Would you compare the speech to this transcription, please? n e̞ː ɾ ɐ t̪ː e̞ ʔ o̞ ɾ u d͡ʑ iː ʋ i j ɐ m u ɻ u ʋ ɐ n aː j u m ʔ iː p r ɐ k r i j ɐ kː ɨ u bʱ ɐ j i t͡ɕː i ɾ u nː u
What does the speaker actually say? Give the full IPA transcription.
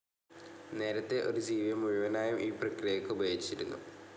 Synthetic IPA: n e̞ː ɾ ɐ t̪ː e̞ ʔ o̞ ɾ u d͡ʑ iː ʋ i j ɐ m u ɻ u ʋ ɐ n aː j u m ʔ iː p r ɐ k r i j ɐ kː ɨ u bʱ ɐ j i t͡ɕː i ɾ u nː u